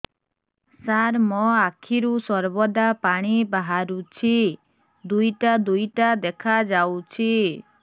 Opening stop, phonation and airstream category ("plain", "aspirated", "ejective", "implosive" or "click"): aspirated